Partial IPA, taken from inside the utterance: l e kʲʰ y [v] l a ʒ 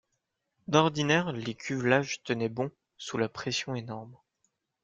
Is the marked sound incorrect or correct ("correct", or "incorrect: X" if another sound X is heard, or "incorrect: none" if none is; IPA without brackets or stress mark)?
correct